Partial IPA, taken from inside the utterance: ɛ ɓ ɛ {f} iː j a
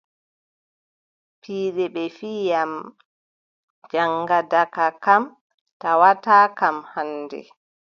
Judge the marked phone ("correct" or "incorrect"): correct